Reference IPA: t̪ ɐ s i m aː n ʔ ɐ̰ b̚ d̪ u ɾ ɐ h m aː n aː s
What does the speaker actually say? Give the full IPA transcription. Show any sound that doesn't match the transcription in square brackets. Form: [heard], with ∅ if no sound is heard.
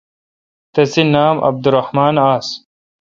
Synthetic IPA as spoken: t̪ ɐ s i [n] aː [m] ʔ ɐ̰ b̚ d̪ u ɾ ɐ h m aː n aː s